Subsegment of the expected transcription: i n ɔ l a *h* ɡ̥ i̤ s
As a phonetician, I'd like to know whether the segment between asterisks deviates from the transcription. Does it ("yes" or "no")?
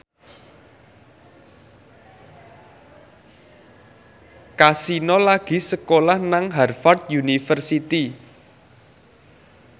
yes